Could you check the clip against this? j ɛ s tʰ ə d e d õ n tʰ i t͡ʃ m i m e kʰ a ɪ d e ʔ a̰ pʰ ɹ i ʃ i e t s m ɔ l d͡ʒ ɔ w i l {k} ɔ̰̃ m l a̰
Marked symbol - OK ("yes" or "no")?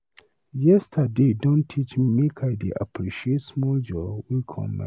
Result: no